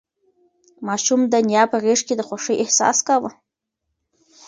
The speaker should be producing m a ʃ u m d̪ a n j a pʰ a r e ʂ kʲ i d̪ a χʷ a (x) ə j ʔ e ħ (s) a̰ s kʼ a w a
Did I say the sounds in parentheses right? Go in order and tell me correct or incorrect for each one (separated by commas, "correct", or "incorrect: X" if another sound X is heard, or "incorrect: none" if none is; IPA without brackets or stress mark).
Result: incorrect: ʂ, correct